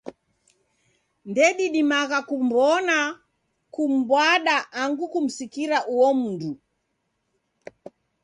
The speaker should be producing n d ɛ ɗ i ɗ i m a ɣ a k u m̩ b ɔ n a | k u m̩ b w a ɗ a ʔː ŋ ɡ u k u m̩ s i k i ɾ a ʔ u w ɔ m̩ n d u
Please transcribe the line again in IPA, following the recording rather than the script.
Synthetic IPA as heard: n d ɛ ɗ i ɗ i m a ɣ a k u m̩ b ɔ n a | k u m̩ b w a ɗ a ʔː ŋ ɡ u k u m̩ s i k i ɾ a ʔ u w ɔ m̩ n d u